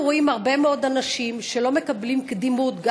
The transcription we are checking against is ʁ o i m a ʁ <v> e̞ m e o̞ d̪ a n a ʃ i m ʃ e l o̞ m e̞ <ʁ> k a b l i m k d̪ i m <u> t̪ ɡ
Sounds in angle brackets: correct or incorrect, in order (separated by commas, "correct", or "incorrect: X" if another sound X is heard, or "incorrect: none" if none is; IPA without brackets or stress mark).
incorrect: b, incorrect: none, correct